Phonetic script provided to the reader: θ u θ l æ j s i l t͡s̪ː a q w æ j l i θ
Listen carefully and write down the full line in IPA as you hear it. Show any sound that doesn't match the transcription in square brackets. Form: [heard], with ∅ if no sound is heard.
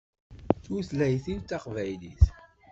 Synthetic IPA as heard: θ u θ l æ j [θ] i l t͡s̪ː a q [v] æ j l i θ